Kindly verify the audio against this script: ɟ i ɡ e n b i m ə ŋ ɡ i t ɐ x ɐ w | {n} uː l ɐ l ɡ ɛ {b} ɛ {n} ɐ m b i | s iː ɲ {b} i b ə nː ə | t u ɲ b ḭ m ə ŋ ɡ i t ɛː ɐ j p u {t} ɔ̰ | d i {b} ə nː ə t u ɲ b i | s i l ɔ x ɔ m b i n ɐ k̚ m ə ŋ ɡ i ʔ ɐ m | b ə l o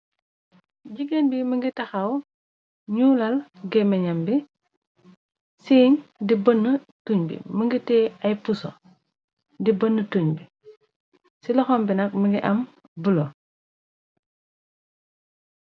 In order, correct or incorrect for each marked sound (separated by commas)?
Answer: incorrect, incorrect, incorrect, incorrect, incorrect, correct